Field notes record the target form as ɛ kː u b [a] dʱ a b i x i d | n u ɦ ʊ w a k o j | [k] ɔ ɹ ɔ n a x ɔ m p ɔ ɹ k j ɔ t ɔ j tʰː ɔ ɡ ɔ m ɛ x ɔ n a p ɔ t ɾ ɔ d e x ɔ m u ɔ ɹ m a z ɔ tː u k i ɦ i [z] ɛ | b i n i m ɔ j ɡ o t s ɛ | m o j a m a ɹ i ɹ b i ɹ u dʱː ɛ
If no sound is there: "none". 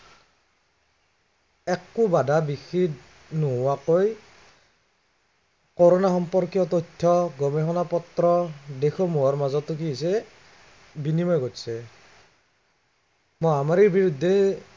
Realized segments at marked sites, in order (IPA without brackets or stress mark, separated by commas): a, k, s